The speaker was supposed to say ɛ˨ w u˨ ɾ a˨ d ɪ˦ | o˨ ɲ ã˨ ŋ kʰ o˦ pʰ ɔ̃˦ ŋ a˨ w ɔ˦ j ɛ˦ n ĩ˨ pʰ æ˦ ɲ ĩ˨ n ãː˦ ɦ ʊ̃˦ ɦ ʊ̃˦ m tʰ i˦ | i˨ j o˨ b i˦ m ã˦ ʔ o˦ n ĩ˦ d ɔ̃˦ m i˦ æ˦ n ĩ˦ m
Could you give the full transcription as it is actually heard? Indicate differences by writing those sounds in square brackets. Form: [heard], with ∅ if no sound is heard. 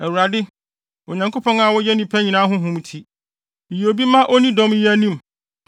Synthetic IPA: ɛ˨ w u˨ ɾ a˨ d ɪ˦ | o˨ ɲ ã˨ ŋ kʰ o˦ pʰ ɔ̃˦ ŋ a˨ w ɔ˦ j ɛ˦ n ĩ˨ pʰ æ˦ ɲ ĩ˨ n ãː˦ ɦ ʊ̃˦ ɦ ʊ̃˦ m tʰ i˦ | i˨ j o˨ b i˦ m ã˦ ʔ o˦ n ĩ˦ d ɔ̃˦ m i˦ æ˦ n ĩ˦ m